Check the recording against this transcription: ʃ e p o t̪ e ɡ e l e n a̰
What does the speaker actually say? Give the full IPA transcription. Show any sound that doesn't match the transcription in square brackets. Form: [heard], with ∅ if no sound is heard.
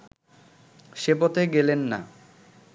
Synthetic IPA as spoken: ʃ e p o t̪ e ɡ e l e [nː] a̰